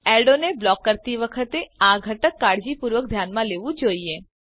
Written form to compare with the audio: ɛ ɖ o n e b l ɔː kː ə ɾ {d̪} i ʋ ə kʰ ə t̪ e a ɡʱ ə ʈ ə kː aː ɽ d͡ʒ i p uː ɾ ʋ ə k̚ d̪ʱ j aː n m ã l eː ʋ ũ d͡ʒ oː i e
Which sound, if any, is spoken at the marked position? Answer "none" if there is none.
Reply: t̪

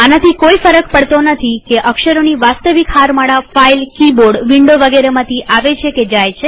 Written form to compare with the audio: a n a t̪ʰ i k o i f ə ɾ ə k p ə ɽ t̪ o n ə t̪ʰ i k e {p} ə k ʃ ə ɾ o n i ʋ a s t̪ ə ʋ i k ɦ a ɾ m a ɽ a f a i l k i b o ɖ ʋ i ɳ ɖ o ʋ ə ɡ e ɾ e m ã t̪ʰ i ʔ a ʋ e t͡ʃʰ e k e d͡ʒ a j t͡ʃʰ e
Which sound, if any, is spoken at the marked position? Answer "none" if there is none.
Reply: ʔ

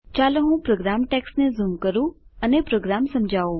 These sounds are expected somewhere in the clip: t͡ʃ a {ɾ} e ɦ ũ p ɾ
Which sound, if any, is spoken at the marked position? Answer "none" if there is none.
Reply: l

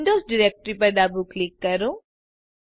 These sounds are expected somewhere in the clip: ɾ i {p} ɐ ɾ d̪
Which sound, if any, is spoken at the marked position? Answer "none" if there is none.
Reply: p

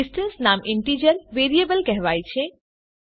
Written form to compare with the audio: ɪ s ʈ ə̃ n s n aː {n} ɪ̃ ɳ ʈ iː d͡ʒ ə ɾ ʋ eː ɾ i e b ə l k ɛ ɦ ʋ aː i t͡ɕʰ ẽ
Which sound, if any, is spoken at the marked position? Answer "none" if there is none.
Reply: m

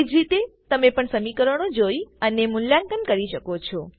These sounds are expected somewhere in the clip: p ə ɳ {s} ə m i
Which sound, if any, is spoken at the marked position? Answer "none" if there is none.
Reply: s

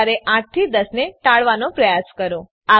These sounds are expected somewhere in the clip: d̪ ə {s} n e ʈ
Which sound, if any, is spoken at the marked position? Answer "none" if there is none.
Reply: s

